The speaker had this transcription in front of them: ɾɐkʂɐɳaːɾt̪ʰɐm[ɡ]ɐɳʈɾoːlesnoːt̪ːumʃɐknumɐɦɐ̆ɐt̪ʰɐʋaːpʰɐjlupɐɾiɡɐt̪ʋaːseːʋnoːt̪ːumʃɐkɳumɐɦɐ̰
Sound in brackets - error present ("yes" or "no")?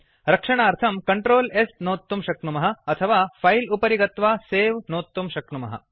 yes